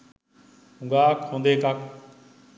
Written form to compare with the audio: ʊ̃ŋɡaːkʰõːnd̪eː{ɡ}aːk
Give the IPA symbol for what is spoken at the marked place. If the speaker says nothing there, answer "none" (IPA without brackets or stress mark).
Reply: k